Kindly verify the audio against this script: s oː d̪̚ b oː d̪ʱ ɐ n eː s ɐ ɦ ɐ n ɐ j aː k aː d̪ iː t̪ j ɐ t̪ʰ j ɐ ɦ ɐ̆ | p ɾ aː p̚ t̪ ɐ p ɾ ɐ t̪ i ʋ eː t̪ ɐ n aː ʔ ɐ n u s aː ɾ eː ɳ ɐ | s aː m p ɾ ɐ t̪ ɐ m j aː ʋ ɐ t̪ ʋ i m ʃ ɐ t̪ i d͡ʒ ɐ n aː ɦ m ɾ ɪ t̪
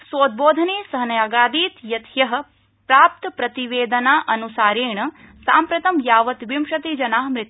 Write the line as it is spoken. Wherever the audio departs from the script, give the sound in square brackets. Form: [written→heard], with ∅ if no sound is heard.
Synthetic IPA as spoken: s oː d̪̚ b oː d̪ʱ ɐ n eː s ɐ ɦ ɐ n ɐ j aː [k→ɡ] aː d̪ iː t̪ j ɐ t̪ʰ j ɐ ɦ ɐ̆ | p ɾ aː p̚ t̪ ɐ p ɾ ɐ t̪ i ʋ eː [t̪→d̪] ɐ n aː ʔ ɐ n u s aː ɾ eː ɳ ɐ | s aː m p ɾ ɐ t̪ ɐ m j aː ʋ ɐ t̪ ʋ i m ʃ ɐ t̪ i d͡ʒ ɐ n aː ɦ m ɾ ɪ t̪